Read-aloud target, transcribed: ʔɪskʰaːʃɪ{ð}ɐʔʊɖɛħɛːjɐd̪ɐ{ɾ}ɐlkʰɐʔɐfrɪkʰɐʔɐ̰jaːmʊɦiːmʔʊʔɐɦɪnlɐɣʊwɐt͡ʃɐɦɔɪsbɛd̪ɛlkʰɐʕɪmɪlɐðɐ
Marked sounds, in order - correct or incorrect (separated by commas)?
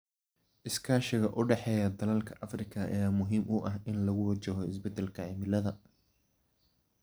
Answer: incorrect, incorrect